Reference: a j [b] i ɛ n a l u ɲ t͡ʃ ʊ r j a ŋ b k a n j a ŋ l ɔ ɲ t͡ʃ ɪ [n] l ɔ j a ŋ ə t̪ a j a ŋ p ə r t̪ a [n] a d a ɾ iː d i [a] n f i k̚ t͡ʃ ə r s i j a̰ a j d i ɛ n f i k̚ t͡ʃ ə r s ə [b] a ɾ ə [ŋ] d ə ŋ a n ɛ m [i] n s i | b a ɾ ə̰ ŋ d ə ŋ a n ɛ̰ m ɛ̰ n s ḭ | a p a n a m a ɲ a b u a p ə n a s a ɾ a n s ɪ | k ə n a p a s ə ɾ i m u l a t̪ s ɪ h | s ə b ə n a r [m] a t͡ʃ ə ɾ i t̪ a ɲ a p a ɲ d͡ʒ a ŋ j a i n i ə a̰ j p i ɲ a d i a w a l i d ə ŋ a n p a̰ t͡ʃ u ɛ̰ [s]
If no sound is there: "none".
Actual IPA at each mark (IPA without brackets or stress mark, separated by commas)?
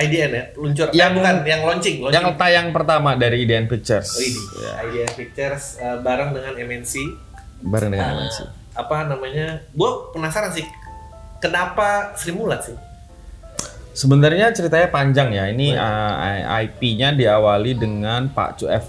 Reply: d, ŋ, m, ɛ, b, ŋ, ɛ, ɲ, f